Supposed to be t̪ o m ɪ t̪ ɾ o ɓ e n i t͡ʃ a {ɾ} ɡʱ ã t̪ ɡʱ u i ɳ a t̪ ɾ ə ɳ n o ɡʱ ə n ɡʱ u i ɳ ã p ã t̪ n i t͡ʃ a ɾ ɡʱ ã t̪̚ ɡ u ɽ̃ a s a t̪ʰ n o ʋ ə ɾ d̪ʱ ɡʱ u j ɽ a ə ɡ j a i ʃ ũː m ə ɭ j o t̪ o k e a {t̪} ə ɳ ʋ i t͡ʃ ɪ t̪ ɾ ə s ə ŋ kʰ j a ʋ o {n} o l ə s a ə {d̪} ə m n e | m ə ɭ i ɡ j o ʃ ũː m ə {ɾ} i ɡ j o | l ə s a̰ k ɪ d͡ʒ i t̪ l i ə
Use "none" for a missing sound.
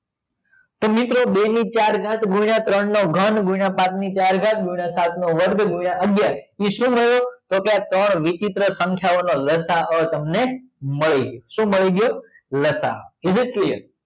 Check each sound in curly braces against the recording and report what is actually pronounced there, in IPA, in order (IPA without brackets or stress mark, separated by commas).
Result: ɾ, t̪, n, t̪, ɭ